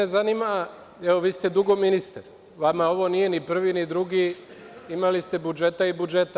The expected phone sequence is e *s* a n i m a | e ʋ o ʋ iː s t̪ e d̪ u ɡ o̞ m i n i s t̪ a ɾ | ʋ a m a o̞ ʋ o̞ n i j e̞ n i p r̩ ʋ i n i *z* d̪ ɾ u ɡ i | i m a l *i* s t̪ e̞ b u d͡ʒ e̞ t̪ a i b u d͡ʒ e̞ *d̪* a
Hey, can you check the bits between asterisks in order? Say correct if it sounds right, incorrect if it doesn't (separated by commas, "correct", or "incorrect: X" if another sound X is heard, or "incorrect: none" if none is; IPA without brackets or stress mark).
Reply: incorrect: z, incorrect: none, correct, incorrect: t̪